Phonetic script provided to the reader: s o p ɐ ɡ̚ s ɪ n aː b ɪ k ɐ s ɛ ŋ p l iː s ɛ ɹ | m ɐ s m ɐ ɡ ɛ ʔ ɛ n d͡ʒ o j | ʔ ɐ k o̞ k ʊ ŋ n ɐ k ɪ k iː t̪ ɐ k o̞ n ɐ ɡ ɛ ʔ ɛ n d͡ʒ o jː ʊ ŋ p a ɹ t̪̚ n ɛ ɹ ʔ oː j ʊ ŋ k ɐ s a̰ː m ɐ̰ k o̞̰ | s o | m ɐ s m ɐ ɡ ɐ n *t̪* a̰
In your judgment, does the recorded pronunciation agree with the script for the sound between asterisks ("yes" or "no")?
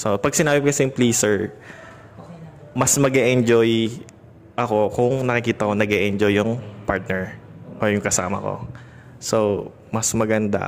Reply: no